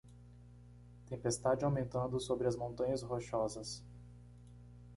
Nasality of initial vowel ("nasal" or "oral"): nasal